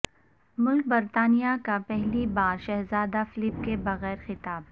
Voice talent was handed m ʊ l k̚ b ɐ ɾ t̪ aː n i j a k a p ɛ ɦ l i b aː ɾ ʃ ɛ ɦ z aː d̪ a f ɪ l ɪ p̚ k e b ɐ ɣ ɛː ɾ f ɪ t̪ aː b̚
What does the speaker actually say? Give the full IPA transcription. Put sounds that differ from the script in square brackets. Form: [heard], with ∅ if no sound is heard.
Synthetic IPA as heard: m ʊ l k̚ b ɐ ɾ t̪ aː n i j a k a p ɛ ɦ l i b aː ɾ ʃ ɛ ɦ z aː d̪ a f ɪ l ɪ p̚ k e b ɐ ɣ ɛː ɾ [x] ɪ t̪ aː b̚